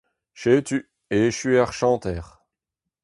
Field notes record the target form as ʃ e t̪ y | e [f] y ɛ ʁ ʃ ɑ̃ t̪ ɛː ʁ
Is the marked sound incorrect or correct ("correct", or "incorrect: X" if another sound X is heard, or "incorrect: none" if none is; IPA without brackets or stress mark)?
incorrect: ʃ